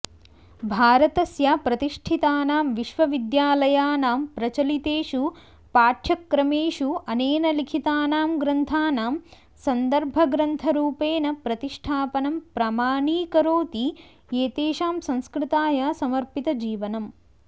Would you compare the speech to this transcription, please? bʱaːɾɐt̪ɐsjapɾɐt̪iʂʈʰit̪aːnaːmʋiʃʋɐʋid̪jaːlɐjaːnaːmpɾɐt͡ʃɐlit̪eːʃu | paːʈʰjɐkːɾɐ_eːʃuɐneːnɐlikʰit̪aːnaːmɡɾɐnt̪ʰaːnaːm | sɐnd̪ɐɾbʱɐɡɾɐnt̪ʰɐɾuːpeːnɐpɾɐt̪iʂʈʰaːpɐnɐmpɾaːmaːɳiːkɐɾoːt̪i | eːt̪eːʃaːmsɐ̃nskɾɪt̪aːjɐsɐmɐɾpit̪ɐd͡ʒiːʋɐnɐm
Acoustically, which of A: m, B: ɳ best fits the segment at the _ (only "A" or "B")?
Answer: A